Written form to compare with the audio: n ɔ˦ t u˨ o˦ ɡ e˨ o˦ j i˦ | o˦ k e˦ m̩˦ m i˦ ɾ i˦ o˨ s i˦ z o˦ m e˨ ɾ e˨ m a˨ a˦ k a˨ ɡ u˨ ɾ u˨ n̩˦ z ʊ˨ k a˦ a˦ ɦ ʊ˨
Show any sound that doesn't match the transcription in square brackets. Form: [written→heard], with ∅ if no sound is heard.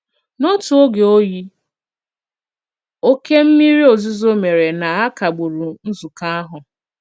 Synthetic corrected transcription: n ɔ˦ t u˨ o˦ ɡ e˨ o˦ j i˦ | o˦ k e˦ m̩˦ m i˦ ɾ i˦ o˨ [s→z] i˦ z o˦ m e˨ ɾ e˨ [m→n] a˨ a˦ k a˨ [ɡ→ɡ͡b] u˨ ɾ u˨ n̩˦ z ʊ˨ k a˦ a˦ ɦ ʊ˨

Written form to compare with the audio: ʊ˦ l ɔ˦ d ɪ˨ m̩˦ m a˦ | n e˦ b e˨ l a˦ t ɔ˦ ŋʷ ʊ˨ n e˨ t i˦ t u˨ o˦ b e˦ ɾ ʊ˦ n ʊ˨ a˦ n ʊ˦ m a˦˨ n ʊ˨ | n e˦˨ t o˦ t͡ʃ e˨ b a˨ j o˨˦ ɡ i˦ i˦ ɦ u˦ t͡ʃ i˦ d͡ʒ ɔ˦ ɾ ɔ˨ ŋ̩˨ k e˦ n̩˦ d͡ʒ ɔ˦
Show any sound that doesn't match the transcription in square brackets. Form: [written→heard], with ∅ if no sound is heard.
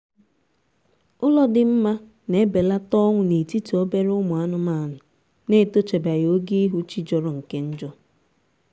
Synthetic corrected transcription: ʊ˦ l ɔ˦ d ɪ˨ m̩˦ m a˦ | n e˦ b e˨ l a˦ t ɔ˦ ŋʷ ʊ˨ n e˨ t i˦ t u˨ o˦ b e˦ ɾ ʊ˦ [n→m] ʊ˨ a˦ n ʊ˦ m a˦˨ n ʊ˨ | n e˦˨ t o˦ t͡ʃ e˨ b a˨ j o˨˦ ɡ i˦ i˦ ɦ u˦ t͡ʃ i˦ d͡ʒ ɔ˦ ɾ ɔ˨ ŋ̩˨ k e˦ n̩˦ d͡ʒ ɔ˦

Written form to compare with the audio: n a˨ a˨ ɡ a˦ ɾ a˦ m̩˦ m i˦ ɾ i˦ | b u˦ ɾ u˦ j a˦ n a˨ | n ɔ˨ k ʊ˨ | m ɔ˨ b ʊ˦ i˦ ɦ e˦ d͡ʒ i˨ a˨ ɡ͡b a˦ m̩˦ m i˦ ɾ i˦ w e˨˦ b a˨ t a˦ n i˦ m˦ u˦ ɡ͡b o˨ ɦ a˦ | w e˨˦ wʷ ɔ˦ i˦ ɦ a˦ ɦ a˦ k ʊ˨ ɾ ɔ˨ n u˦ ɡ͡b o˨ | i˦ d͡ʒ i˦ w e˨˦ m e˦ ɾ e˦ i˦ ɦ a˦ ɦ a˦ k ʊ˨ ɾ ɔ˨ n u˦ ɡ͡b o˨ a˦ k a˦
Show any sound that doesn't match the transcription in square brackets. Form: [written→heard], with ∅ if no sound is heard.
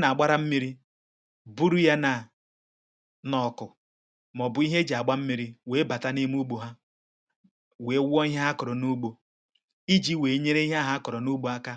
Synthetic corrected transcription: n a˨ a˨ [ɡ→ɡ͡b] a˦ ɾ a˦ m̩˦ m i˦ ɾ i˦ | b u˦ ɾ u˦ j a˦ n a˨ | n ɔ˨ k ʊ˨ | m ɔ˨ b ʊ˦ i˦ ɦ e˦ d͡ʒ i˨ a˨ ɡ͡b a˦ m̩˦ m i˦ ɾ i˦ w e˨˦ b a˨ t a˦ n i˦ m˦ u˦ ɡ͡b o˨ ɦ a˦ | w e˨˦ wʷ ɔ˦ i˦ ɦ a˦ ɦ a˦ k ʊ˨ ɾ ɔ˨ n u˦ ɡ͡b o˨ | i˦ d͡ʒ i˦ w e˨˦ [m→ɲ] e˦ ɾ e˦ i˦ ɦ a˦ ɦ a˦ k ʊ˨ ɾ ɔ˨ n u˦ ɡ͡b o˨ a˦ k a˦

